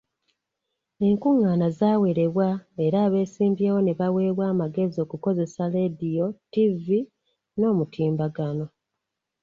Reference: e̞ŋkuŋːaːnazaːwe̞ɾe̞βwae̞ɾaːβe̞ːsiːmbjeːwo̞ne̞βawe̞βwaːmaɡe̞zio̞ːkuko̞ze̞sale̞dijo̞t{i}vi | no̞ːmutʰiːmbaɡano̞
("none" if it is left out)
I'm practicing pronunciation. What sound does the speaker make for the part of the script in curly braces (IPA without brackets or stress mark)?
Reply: i